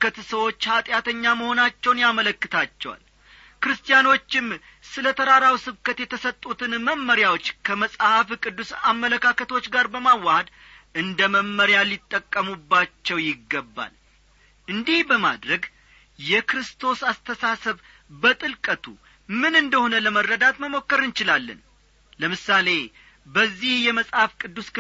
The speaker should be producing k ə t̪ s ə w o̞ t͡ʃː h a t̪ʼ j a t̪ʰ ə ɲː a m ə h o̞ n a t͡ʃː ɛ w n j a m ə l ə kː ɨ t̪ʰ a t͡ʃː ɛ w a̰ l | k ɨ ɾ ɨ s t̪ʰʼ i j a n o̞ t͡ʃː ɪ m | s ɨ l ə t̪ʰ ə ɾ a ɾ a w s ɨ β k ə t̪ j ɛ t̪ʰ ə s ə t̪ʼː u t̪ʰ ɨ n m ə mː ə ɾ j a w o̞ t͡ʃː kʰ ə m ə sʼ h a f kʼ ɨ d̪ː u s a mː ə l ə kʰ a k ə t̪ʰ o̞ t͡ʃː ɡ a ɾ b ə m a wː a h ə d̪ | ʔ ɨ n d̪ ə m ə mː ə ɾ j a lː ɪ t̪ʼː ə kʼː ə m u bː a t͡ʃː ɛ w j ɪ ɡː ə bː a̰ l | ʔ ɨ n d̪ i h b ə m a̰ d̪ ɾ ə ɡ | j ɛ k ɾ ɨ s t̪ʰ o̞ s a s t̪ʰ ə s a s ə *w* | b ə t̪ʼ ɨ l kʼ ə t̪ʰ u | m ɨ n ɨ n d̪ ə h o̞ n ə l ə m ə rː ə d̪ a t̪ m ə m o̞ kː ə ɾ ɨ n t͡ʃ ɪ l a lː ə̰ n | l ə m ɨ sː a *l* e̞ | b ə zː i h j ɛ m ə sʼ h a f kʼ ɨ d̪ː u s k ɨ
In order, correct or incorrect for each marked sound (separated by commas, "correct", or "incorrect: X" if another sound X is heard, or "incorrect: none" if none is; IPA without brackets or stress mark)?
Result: incorrect: β, correct